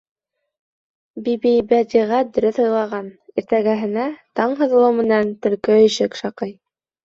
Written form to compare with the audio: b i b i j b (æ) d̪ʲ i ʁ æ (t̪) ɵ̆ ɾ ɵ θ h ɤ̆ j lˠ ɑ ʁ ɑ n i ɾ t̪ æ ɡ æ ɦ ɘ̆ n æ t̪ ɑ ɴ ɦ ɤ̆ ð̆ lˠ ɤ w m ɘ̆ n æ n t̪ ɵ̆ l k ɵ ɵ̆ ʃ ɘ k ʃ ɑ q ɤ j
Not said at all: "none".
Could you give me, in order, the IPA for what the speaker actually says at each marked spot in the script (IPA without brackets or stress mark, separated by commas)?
æ, d̪